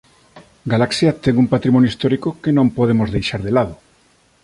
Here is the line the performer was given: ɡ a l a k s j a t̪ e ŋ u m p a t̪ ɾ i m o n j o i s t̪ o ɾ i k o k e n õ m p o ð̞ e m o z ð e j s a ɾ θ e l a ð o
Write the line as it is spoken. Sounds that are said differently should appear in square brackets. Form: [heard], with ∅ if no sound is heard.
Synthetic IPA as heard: ɡ a l a k s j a t̪ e ŋ u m p a t̪ ɾ i m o n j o i s t̪ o ɾ i k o k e n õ m p o ð̞ e m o z ð e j [ʃ] a ɾ [ð] e l a ð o